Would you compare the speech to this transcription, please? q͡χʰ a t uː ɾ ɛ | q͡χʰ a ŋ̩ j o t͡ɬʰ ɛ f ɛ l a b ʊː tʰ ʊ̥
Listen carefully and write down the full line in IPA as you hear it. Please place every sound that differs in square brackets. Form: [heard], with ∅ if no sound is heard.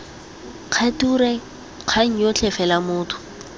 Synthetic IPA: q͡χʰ a t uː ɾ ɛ | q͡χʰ a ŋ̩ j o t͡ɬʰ ɛ f ɛ l a [m] ʊː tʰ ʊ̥